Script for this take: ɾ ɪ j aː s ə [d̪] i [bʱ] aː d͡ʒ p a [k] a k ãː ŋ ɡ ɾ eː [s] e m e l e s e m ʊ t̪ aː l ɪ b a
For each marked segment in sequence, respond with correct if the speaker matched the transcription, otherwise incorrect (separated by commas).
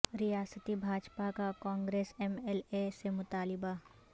incorrect, correct, correct, correct